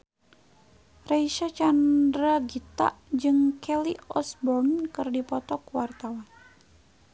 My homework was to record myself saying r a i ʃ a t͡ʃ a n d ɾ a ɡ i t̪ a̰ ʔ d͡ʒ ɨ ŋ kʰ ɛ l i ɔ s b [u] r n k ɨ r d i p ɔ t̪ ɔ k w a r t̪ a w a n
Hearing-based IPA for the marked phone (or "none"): ɔ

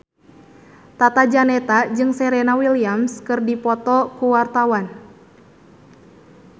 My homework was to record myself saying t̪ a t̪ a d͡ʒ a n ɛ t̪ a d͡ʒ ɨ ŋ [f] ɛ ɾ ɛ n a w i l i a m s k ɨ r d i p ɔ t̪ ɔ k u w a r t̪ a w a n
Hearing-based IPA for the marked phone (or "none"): s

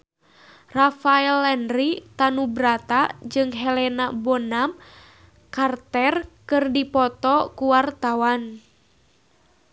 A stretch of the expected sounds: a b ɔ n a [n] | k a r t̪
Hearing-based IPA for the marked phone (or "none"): m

